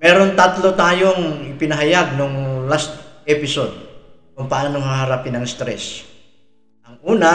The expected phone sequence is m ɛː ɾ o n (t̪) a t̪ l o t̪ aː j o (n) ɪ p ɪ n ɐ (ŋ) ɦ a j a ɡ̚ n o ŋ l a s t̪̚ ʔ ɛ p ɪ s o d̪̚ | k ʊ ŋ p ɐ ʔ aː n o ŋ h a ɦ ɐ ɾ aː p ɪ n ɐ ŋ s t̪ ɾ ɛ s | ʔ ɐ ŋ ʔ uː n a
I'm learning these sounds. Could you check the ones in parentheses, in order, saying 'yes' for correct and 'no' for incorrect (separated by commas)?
yes, no, no